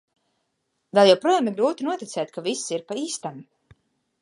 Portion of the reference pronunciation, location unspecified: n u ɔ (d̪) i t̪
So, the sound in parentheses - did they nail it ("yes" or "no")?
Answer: no